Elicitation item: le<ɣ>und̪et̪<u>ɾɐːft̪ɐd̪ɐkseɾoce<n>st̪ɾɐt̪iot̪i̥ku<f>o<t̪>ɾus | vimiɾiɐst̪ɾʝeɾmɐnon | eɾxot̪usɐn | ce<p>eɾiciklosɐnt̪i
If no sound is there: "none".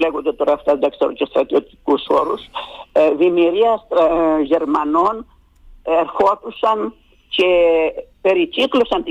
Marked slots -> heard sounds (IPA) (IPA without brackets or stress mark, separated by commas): ɣ, o, none, s, none, p